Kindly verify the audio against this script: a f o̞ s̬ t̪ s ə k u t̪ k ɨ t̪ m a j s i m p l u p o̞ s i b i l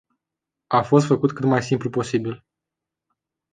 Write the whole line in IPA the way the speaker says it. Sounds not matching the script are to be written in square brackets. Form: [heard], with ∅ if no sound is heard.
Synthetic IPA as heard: a f o̞ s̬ t̪ [f] ə k u t̪ k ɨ t̪ m a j s i m p l u p o̞ s i b i l